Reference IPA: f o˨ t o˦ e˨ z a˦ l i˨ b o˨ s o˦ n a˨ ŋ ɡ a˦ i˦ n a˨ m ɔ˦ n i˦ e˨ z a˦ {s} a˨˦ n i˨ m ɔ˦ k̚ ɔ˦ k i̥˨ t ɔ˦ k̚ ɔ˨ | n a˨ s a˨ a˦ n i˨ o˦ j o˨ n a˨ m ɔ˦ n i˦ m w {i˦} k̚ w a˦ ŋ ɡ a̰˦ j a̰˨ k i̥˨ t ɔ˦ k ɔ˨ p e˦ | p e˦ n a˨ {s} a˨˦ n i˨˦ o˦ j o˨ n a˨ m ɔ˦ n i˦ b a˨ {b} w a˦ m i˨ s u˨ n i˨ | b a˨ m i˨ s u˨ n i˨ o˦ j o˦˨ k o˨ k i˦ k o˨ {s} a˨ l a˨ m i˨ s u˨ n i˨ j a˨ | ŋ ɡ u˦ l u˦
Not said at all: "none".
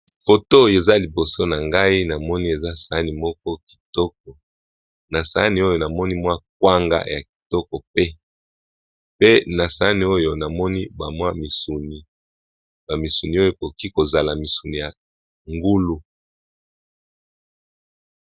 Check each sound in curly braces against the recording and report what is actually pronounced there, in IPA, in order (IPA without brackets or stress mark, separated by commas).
s, a˦, s, m, z